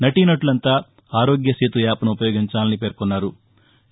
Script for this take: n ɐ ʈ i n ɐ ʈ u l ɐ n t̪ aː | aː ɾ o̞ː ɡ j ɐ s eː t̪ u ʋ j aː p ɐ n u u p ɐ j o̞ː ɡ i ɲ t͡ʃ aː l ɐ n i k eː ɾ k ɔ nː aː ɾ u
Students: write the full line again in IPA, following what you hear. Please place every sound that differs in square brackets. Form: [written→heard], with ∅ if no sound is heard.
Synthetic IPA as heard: n ɐ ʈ i n ɐ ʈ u l ɐ n t̪ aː | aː ɾ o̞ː ɡ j ɐ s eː t̪ u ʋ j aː p ɐ n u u p ɐ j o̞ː ɡ i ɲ t͡ʃ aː l ɐ n i [k→p] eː ɾ k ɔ nː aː ɾ u

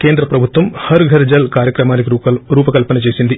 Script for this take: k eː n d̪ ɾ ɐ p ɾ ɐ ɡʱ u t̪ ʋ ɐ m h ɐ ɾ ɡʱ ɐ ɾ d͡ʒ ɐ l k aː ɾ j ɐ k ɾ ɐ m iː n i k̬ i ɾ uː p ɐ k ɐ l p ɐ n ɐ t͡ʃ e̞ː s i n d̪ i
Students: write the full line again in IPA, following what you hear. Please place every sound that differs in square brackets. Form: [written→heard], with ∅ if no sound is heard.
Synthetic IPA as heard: k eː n d̪ ɾ ɐ p ɾ ɐ [ɡʱ→bʱ] u t̪ ʋ ɐ m h ɐ ɾ ɡʱ ɐ ɾ d͡ʒ ɐ l k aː ɾ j ɐ k ɾ ɐ m [iː→aː] n i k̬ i ɾ uː p ɐ k ɐ l p ɐ n ɐ t͡ʃ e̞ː s i n d̪ i

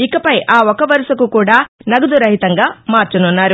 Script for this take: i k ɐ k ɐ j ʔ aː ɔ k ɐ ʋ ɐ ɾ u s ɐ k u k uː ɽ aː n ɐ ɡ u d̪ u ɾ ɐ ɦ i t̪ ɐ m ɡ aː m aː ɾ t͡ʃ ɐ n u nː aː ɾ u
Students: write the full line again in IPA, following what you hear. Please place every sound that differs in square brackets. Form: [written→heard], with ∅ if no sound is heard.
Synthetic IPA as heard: i k ɐ [k→p] ɐ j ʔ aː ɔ k ɐ ʋ ɐ ɾ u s ɐ k u k uː ɽ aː n ɐ ɡ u d̪ u ɾ ɐ ɦ i t̪ ɐ [m→ŋ] ɡ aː m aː ɾ t͡ʃ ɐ n u nː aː ɾ u

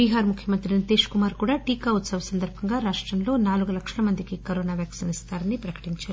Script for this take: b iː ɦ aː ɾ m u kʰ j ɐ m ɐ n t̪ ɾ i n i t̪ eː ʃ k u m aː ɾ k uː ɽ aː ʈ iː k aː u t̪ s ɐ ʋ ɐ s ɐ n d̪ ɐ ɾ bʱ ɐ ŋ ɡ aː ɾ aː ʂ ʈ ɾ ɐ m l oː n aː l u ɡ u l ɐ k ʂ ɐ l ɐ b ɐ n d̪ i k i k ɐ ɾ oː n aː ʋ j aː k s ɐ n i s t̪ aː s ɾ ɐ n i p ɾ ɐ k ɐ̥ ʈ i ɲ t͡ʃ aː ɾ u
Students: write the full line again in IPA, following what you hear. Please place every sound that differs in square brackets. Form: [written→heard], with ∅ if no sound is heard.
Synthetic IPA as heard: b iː ɦ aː ɾ m u kʰ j ɐ m ɐ n t̪ ɾ i n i t̪ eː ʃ k u m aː ɾ k uː ɽ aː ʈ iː k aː u t̪ s ɐ ʋ ɐ s ɐ n d̪ ɐ ɾ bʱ ɐ ŋ ɡ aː ɾ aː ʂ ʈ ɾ ɐ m l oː n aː l u ɡ u l ɐ k ʂ ɐ l ɐ [b→m] ɐ n d̪ i k i k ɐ ɾ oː n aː ʋ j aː k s ɐ n i s t̪ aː [s→∅] ɾ ɐ n i p ɾ ɐ k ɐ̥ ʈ i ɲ t͡ʃ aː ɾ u

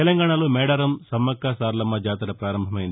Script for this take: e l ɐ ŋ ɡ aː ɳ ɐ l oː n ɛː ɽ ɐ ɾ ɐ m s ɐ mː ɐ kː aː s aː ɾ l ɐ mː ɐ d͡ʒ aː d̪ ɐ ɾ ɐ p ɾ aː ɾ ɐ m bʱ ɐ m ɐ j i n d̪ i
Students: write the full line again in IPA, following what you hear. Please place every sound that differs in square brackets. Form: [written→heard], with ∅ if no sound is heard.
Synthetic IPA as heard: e l ɐ ŋ ɡ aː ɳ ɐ l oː [n→m] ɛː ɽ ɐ ɾ ɐ m s ɐ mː ɐ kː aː s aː ɾ l ɐ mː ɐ d͡ʒ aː [d̪→t̪] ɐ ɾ ɐ p ɾ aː ɾ ɐ m bʱ ɐ m ɐ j i n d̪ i

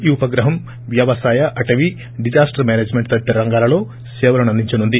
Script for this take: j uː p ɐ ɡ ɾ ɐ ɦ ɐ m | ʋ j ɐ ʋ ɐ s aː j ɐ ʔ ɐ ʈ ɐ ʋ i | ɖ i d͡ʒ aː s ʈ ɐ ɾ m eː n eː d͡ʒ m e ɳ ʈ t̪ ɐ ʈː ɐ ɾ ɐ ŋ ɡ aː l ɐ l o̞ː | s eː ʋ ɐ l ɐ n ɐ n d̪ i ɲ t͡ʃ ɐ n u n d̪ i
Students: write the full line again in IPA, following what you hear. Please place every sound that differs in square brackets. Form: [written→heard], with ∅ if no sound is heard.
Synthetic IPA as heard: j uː p ɐ ɡ ɾ ɐ ɦ ɐ m | ʋ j ɐ ʋ ɐ s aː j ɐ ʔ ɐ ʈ ɐ ʋ i | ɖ i d͡ʒ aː s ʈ ɐ ɾ m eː n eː d͡ʒ m e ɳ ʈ t̪ ɐ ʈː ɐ ɾ ɐ ŋ ɡ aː l ɐ l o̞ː | s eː ʋ ɐ l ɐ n ɐ n d̪ i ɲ t͡ʃ ɐ n u n d̪ i

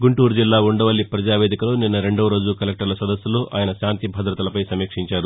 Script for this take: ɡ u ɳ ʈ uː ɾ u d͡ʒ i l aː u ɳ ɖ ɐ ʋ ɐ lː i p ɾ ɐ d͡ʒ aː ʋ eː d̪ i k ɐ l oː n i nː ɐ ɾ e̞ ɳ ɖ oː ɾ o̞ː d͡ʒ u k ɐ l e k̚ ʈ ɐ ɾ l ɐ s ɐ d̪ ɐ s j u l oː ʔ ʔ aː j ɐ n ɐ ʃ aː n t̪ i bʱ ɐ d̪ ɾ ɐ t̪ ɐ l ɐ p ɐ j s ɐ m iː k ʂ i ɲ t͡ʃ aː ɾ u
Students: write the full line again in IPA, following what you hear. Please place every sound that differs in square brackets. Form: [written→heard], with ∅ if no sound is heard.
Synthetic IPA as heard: ɡ u ɳ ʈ uː ɾ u d͡ʒ i [l→lː] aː u ɳ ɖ ɐ ʋ ɐ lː i p ɾ ɐ d͡ʒ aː ʋ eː d̪ i k ɐ l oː n i nː ɐ ɾ e̞ ɳ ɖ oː ɾ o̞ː d͡ʒ u k ɐ l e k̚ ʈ ɐ ɾ l ɐ s ɐ d̪ ɐ s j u l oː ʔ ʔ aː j ɐ n ɐ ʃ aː n t̪ i bʱ ɐ d̪ ɾ ɐ t̪ ɐ l ɐ p ɐ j s ɐ m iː k ʂ i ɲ t͡ʃ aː ɾ u

